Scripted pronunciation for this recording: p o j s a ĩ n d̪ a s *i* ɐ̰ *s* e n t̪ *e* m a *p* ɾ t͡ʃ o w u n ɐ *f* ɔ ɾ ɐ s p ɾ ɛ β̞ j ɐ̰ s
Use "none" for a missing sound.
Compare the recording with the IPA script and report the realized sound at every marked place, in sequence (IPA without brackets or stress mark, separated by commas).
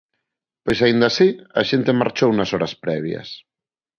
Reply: i, ʃ, e, none, s